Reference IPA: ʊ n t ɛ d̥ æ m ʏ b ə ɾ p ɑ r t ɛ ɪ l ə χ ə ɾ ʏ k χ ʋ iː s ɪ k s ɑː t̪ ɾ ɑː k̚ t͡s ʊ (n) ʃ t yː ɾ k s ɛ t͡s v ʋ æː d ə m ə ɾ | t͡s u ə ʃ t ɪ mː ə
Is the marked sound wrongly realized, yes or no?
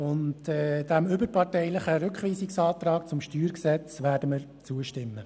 yes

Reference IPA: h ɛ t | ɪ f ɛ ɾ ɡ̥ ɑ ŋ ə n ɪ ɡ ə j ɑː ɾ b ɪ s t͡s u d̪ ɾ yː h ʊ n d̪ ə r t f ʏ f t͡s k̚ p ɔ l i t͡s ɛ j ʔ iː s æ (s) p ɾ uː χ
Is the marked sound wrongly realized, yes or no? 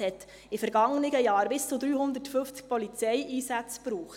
yes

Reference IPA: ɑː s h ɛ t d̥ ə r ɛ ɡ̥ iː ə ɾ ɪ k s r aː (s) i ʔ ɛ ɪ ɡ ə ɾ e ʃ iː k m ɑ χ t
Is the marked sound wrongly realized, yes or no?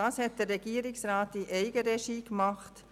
yes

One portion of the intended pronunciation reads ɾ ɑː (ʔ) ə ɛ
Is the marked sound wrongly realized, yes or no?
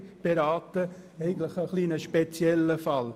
yes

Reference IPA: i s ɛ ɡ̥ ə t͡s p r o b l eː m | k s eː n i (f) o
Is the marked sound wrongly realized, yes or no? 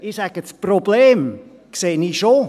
yes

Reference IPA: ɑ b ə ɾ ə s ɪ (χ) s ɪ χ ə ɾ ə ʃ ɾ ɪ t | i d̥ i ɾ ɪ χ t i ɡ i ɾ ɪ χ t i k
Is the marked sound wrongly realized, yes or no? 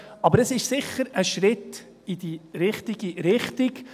yes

